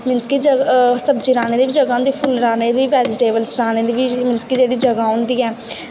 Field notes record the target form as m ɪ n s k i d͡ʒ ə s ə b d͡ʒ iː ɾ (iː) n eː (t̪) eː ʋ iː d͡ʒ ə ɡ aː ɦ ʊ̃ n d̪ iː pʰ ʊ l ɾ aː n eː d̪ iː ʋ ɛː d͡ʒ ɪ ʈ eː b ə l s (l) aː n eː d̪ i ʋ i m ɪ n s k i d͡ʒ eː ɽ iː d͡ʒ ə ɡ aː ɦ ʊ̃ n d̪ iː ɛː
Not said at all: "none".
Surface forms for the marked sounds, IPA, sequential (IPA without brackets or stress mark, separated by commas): aː, d̪, ɾ